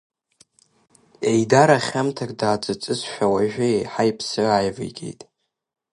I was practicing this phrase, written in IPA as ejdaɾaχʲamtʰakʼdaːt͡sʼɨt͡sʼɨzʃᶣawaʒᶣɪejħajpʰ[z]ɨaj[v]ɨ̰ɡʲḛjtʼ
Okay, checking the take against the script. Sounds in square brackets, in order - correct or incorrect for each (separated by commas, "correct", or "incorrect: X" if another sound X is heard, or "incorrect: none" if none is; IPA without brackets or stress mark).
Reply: incorrect: s, correct